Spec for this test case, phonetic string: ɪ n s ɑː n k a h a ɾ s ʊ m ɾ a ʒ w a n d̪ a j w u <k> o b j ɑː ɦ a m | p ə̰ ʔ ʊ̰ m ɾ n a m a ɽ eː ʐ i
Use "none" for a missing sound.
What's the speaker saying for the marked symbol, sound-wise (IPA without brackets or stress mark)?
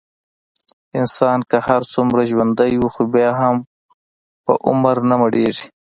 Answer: x